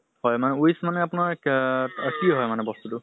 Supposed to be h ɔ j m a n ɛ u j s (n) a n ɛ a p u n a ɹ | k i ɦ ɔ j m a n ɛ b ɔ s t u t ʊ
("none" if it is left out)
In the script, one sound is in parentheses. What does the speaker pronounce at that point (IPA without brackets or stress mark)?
m